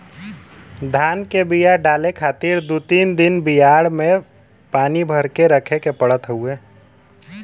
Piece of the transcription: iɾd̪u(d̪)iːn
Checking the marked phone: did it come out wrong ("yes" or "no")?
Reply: yes